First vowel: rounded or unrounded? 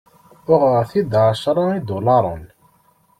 rounded